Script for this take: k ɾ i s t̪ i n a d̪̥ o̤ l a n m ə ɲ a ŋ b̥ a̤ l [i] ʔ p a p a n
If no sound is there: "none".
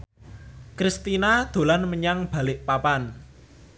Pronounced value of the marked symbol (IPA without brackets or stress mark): ɪ